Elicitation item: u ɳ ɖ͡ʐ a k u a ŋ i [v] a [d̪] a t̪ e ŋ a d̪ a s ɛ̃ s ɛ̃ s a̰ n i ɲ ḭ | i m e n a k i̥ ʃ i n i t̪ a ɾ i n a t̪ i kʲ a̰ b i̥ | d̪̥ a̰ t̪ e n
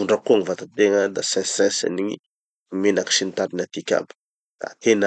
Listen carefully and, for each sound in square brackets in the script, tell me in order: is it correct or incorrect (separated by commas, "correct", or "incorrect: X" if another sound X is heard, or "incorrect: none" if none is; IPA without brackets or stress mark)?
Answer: correct, incorrect: t̪